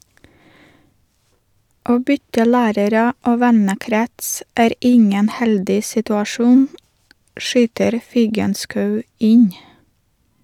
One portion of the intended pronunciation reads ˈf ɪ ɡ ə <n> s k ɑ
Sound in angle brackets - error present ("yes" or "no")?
no